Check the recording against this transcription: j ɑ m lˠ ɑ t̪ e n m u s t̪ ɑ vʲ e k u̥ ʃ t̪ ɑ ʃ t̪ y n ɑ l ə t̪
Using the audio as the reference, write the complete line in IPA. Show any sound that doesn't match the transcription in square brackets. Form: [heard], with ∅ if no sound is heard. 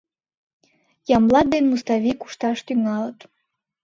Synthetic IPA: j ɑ m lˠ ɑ [d̪] e n m u s t̪ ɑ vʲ [i] k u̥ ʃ t̪ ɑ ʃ t̪ y [ŋ] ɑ l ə t̪